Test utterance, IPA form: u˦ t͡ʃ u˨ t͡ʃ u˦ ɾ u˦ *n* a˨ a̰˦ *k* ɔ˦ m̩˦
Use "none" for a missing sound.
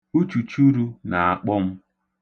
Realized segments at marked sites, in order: n, k͡p

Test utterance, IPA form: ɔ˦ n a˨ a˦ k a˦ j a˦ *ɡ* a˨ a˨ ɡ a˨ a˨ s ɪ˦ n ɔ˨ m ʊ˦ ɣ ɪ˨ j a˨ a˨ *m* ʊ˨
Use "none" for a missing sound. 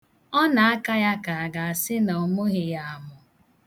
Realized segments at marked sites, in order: k, m

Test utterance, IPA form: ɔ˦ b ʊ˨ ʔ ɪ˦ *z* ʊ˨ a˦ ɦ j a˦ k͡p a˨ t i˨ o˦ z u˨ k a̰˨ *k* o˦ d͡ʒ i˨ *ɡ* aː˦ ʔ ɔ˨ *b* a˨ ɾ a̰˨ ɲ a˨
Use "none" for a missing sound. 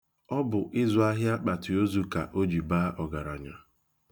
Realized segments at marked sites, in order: z, ʔ, b, ɡ

